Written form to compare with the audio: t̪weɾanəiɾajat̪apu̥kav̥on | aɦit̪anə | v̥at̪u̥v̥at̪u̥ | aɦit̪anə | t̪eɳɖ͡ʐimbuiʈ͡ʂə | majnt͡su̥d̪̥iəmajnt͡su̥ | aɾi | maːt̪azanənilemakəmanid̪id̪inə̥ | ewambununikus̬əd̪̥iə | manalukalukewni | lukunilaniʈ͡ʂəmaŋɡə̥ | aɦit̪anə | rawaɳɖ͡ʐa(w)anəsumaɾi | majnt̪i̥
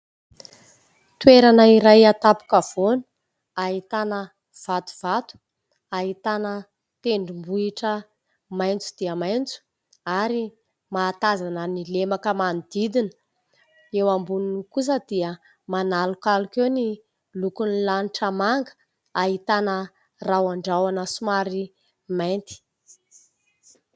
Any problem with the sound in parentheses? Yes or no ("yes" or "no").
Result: no